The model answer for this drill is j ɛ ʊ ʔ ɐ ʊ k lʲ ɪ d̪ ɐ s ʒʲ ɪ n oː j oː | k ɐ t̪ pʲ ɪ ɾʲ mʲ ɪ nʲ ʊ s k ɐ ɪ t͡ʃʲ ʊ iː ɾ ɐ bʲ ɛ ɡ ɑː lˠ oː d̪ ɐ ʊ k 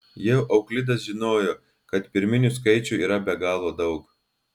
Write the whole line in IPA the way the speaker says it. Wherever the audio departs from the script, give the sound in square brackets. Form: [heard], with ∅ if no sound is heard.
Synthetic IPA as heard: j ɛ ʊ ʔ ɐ ʊ k lʲ ɪ d̪ ɐ s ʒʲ ɪ n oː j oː | k ɐ t̪ pʲ ɪ ɾʲ mʲ ɪ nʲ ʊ s k ɐ ɪ t͡ʃʲ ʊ iː ɾ ɐ bʲ ɛ ɡ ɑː lˠ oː d̪ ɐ ʊ k